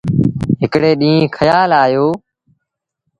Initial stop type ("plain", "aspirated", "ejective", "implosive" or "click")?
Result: plain